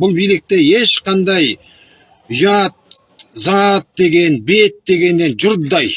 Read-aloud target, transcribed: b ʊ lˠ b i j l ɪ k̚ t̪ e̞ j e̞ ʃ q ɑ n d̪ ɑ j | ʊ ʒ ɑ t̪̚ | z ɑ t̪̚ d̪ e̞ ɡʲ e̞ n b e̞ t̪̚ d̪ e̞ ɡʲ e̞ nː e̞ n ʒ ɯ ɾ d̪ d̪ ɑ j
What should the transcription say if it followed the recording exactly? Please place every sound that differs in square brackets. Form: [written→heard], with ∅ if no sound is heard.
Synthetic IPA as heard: b ʊ lˠ b i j l ɪ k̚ t̪ e̞ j e̞ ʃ q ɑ n d̪ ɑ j | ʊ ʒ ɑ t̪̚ | z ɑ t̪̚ d̪ e̞ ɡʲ e̞ n b e̞ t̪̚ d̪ e̞ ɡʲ e̞ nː e̞ n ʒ [ɯ→ʊ] ɾ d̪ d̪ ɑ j